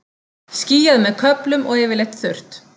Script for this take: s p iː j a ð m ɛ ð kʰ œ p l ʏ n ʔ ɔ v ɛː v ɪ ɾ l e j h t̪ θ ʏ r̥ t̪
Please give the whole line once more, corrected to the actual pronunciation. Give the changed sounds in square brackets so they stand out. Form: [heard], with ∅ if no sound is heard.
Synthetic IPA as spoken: s [c] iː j a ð m ɛ ð kʰ œ p l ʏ [m] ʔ ɔ [ɣ] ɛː v ɪ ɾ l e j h t̪ θ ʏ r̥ t̪